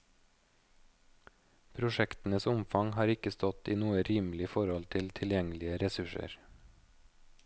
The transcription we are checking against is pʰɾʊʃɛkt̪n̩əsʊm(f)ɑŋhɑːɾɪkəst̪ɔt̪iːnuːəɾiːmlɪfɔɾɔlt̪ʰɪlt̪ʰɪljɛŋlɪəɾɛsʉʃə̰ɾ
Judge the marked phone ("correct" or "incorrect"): correct